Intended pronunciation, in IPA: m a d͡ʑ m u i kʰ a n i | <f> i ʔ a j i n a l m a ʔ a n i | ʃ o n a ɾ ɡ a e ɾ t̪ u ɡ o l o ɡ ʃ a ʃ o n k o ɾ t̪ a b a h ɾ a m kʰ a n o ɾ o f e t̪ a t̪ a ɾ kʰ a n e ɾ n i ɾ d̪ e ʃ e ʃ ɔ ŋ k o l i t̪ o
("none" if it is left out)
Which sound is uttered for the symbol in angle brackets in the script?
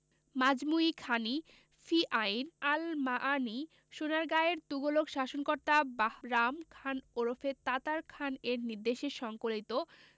f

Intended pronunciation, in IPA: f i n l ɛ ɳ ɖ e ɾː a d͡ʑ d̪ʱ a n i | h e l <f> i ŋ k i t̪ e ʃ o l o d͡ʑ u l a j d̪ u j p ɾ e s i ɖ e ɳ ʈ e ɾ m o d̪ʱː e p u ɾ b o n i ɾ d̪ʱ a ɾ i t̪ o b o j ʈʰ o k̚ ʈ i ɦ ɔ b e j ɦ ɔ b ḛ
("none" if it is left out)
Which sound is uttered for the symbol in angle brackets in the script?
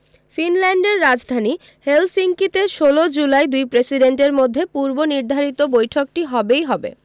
s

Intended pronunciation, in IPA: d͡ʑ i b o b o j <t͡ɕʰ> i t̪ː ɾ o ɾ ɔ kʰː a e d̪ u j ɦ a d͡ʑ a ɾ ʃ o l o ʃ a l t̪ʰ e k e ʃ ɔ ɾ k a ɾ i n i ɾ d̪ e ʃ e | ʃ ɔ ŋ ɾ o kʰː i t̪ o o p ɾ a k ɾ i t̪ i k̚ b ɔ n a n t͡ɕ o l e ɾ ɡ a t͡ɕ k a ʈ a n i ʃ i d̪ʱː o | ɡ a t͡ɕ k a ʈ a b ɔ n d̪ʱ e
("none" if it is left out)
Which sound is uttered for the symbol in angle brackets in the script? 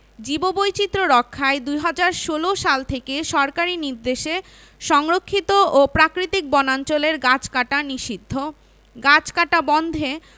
t͡ɕ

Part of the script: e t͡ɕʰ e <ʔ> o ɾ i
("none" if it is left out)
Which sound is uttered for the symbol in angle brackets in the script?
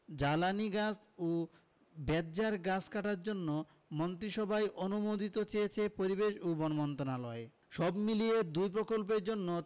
p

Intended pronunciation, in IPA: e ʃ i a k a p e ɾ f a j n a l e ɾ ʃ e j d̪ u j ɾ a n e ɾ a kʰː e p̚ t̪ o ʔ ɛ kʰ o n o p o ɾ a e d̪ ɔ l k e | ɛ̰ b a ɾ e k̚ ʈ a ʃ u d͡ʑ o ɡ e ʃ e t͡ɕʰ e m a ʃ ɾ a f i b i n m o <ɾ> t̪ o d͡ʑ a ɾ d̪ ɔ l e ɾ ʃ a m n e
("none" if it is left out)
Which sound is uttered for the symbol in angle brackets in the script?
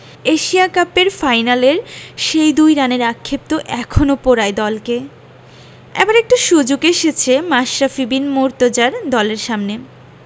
ɾ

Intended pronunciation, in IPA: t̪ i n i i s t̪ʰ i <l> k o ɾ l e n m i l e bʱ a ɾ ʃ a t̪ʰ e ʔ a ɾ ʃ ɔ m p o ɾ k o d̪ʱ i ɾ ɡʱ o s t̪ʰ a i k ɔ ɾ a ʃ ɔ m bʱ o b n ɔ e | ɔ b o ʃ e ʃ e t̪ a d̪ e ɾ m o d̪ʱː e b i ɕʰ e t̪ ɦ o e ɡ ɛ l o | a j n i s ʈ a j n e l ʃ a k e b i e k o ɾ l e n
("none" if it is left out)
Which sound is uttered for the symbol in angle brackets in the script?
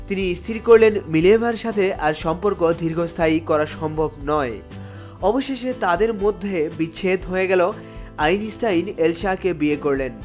ɾ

